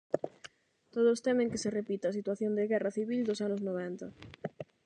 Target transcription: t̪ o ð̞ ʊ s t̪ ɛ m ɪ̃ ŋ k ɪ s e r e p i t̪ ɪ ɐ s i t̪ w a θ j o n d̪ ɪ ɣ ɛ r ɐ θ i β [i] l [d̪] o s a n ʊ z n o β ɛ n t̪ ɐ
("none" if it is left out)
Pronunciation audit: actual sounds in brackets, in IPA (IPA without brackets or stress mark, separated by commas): i, d̪